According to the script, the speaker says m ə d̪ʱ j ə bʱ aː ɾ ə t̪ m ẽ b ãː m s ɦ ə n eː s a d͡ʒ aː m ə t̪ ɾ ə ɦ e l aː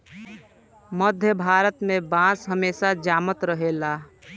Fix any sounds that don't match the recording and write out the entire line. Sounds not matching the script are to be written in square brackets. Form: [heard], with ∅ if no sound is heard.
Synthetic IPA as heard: m ə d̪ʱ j ə bʱ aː ɾ ə t̪ m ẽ b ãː [∅] s ɦ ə [m] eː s a d͡ʒ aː m ə t̪ ɾ ə ɦ e l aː